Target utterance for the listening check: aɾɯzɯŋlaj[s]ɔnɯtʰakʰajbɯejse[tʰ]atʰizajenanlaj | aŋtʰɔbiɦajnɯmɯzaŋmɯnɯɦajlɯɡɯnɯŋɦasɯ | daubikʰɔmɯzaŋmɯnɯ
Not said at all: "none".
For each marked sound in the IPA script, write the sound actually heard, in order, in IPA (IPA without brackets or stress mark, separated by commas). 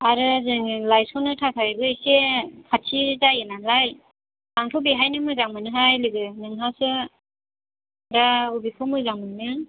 s, kʰ